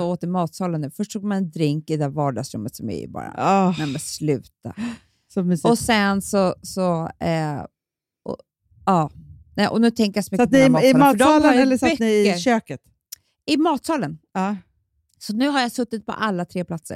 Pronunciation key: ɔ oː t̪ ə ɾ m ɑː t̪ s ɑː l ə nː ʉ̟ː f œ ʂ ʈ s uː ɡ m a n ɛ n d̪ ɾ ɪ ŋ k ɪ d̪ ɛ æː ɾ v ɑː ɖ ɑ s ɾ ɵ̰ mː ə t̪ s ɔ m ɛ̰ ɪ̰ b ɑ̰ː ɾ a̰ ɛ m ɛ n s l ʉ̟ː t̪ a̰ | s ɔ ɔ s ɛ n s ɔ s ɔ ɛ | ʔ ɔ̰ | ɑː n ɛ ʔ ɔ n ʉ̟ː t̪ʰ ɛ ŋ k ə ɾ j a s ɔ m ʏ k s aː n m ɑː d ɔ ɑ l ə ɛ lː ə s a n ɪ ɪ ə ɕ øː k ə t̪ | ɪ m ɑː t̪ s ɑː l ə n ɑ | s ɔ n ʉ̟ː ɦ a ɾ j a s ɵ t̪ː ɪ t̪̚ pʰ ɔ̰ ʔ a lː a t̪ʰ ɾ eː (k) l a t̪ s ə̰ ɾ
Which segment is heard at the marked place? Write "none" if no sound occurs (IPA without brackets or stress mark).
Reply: p